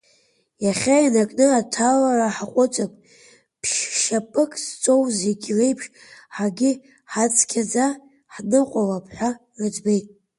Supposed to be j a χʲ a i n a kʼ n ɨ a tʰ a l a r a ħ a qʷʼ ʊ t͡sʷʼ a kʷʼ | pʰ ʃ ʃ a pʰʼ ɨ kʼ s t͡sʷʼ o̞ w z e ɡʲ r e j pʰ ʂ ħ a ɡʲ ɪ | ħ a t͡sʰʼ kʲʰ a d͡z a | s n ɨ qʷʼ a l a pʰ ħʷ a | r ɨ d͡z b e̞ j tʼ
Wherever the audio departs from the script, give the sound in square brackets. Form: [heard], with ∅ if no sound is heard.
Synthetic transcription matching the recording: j a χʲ a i n a kʼ n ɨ a tʰ a l a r a ħ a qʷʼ ʊ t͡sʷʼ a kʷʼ | pʰ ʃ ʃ a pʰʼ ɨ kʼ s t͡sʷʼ o̞ w z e ɡʲ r e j pʰ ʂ ħ a ɡʲ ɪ | ħ a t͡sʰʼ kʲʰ a d͡z a | [ħ] n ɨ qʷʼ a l a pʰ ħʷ a | r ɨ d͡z b e̞ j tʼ